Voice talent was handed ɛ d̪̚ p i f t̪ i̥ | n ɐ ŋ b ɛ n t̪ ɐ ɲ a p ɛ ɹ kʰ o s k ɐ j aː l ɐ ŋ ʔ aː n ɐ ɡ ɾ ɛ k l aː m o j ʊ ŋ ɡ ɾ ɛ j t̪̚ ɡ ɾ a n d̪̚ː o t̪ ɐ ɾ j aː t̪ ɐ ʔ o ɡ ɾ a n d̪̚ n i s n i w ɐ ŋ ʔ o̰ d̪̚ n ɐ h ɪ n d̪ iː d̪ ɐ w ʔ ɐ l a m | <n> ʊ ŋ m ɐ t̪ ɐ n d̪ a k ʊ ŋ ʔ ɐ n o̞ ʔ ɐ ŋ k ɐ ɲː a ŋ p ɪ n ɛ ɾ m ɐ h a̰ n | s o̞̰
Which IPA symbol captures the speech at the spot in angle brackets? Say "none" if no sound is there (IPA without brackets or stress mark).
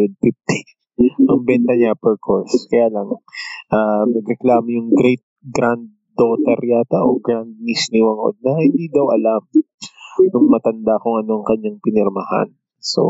n